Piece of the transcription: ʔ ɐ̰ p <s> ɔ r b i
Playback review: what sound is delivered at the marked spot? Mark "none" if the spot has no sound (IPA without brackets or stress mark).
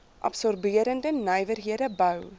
s